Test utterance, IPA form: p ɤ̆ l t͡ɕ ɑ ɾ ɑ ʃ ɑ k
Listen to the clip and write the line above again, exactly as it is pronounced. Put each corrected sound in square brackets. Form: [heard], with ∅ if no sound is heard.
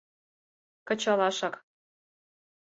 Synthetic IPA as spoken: [k] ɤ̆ [∅] t͡ɕ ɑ [l] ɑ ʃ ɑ k